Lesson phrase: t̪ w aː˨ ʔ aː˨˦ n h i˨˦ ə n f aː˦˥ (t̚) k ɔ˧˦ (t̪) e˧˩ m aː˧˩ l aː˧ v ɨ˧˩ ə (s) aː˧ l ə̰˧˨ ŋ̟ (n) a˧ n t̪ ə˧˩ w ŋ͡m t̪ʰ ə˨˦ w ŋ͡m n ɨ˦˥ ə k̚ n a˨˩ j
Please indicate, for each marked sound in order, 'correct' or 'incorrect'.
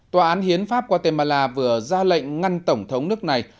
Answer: incorrect, correct, incorrect, incorrect

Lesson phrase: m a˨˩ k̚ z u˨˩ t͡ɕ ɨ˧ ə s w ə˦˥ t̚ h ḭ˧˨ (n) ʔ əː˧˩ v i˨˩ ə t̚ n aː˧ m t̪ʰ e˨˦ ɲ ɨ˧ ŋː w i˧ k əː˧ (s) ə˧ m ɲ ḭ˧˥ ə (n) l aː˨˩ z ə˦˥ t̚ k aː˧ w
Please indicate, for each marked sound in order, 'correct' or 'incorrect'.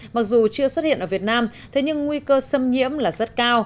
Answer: correct, correct, incorrect

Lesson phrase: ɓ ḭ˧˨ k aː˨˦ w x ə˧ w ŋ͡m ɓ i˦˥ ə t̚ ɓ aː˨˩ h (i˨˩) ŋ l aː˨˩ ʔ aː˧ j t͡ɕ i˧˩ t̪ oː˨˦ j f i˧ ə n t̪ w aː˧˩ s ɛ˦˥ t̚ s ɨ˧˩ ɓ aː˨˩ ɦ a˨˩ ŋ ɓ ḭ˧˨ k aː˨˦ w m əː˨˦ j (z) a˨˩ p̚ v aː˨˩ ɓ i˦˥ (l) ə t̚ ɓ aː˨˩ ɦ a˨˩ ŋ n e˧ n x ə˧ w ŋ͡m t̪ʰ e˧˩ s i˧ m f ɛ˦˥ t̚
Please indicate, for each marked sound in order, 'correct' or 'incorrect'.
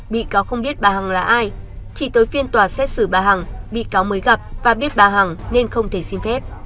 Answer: incorrect, incorrect, incorrect

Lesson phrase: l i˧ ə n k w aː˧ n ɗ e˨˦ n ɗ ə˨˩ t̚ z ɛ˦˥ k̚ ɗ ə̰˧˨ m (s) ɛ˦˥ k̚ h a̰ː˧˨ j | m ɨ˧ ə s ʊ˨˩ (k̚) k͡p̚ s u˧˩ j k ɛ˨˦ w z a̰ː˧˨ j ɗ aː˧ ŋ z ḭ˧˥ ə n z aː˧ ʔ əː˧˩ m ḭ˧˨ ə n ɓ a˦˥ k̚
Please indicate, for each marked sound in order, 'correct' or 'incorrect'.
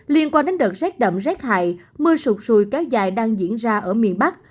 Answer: incorrect, incorrect

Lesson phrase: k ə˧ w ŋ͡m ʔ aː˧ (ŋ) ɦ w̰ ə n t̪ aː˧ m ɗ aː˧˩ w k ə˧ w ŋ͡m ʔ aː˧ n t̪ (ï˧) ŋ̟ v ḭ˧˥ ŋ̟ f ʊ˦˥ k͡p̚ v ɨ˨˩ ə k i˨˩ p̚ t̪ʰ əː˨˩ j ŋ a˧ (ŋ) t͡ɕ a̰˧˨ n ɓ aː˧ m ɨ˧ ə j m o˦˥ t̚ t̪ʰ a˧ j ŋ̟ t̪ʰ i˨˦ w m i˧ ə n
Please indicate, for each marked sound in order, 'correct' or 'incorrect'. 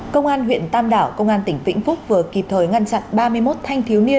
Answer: incorrect, incorrect, incorrect

